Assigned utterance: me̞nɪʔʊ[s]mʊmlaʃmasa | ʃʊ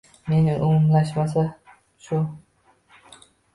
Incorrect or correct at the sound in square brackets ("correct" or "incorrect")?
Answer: incorrect